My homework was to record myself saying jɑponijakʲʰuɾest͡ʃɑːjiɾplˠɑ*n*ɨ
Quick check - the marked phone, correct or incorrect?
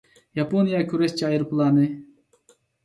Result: correct